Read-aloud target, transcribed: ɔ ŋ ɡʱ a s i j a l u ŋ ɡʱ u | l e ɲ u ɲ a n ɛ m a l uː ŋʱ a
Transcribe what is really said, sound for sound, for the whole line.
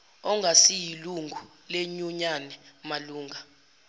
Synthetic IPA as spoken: ɔ ŋ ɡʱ a s i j i l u ŋ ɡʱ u | l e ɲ u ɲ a n ɛ m a l uː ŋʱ a